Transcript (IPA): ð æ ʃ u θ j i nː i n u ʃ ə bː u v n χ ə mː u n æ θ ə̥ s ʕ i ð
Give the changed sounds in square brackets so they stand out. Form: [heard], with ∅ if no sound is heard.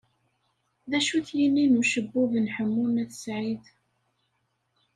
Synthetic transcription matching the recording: ð æ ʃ u θ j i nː i n u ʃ ə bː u v n [ħ] ə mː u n æ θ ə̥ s ʕ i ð